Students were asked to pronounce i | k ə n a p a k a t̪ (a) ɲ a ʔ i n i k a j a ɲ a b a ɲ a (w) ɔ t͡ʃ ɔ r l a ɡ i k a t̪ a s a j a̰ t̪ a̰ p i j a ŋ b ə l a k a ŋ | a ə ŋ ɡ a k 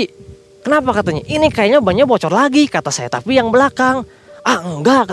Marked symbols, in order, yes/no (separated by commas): yes, no